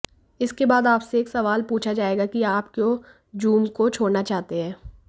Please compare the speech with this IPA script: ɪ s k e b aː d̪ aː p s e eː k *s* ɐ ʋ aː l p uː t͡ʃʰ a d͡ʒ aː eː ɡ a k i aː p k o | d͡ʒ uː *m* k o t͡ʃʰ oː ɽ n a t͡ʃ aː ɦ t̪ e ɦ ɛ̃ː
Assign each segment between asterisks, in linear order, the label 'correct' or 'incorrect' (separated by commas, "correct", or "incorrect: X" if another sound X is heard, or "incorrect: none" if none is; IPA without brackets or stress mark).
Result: correct, correct